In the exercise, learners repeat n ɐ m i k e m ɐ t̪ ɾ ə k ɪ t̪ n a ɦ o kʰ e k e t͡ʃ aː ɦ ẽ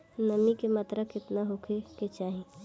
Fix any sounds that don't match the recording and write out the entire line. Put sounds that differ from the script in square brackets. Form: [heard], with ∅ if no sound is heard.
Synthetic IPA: n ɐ m i k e m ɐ t̪ ɾ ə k ɪ t̪ n a ɦ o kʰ e k e t͡ʃ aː ɦ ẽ